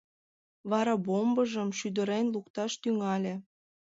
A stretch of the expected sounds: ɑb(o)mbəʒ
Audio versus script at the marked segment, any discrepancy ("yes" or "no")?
no